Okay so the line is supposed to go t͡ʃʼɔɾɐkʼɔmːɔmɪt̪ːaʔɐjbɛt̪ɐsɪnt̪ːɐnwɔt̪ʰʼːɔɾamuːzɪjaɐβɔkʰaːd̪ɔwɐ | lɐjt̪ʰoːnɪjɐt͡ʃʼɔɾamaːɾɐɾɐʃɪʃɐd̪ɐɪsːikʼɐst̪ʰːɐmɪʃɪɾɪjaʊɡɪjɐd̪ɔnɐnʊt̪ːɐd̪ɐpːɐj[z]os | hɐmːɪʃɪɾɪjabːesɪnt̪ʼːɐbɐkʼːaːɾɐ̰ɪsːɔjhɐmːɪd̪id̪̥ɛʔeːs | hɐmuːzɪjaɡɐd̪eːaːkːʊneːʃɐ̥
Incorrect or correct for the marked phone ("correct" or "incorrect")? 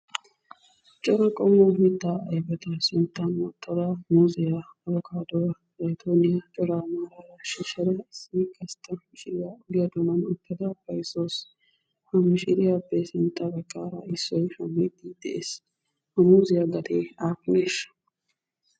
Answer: incorrect